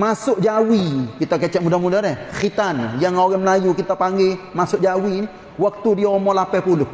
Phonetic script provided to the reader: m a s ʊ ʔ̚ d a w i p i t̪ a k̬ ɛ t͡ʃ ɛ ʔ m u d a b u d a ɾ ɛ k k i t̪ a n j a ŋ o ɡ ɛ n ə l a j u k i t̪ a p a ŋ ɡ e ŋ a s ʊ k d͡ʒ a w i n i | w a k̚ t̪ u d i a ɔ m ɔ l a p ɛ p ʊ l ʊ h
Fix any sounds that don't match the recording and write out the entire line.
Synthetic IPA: m a s ʊ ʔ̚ d͡ʒ a w i k i t̪ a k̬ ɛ t͡ʃ ɛ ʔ m u d a m u d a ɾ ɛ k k i t̪ a n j a ŋ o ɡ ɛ m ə l a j u k i t̪ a p a ŋ ɡ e m a s ʊ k d͡ʒ a w i n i | w a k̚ t̪ u d i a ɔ m ɔ l a p ɛ p u l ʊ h